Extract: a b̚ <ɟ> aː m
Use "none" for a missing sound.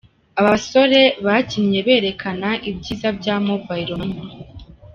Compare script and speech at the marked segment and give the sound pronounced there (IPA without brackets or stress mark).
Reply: ɟ